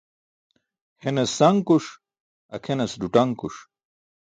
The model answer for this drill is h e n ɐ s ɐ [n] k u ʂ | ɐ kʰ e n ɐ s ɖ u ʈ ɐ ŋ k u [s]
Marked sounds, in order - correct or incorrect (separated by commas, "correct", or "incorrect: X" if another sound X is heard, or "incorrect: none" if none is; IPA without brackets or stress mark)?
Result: incorrect: ŋ, incorrect: ʂ